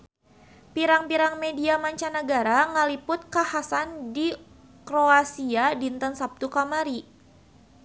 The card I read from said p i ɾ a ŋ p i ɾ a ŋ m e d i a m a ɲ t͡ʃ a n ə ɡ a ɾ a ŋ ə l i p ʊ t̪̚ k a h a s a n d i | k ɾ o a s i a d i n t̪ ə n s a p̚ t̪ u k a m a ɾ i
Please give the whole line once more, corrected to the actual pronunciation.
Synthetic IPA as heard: p i ɾ a ŋ p i ɾ a ŋ m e d i a m a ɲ t͡ʃ a n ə ɡ a ɾ a ŋ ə l i p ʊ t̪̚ k a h a s a n d i | k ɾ o a s i a d i n t̪ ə n s a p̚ t̪ u k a m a ɾ i